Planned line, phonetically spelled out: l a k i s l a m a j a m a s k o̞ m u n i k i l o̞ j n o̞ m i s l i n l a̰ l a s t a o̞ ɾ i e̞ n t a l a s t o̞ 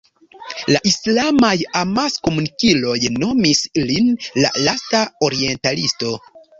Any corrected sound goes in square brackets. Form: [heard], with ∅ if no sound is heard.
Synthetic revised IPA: l a [ʔ] i s l a m a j a m a s k o̞ m u n i k i l o̞ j n o̞ m i s l i n l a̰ l a s t a o̞ ɾ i e̞ n t a l [i] s t o̞